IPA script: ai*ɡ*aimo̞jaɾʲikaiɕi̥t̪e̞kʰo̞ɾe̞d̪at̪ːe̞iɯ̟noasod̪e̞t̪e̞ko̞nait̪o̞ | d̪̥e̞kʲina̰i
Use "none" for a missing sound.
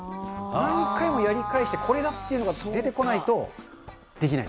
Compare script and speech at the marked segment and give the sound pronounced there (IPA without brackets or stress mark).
k